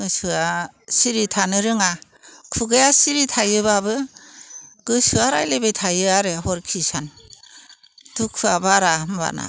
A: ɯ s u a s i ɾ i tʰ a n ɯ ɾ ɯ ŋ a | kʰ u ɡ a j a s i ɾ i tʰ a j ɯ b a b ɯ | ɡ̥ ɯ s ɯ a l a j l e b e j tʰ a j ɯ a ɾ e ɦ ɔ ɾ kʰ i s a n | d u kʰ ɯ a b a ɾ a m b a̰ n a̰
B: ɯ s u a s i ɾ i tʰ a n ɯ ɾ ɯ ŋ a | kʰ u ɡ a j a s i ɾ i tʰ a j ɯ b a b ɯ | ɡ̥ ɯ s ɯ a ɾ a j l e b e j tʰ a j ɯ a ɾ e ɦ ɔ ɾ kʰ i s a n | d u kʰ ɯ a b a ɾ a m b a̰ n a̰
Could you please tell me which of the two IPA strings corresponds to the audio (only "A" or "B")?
B